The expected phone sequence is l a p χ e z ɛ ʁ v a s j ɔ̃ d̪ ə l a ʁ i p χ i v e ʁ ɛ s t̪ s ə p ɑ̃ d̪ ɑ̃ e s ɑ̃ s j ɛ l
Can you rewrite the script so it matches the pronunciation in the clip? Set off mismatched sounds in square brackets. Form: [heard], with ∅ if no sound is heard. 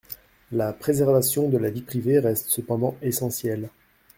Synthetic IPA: l a p χ e z ɛ ʁ v a s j ɔ̃ d̪ ə l a [v] i p χ i v e ʁ ɛ s t̪ s ə p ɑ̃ d̪ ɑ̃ e s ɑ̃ s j ɛ l